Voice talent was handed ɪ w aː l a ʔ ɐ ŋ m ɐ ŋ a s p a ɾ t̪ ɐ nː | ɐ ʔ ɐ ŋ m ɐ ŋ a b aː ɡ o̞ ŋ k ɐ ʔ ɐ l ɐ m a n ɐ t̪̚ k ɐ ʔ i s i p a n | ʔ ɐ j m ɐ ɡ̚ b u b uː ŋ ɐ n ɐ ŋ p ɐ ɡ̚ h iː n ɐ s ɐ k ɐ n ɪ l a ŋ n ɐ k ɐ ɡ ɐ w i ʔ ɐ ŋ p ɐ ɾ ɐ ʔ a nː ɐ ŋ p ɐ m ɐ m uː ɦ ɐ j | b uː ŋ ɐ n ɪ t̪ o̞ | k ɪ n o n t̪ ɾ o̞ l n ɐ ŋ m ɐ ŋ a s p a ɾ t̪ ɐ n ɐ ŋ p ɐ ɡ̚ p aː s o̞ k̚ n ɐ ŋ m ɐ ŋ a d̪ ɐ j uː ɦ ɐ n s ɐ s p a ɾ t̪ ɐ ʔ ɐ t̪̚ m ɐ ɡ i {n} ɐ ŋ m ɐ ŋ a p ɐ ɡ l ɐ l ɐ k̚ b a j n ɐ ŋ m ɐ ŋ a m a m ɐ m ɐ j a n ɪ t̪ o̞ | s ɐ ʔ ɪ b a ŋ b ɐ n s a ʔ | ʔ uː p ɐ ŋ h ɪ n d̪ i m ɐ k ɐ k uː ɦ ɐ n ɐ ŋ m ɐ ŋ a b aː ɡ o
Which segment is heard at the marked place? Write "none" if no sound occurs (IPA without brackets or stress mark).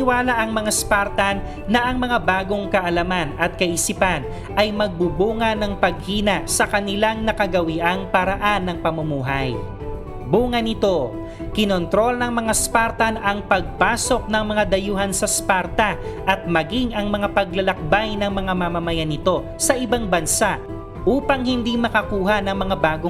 ŋ